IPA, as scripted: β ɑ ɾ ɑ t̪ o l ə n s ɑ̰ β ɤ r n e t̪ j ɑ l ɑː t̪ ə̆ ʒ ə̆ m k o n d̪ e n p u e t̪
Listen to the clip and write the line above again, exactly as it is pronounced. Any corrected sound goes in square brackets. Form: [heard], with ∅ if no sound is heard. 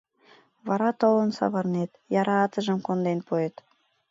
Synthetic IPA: β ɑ ɾ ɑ t̪ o l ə n s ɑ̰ β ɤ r n e t̪ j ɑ [ɾ] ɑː t̪ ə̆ ʒ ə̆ m k o n d̪ e n p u e t̪